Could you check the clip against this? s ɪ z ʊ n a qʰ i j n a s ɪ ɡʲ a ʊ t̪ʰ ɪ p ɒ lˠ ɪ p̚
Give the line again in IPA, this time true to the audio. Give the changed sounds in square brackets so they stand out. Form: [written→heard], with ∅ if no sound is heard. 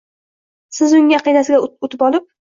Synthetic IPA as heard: s ɪ z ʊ [n→ŋ] a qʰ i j n a s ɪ ɡʲ a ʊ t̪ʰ ɪ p ɒ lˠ ɪ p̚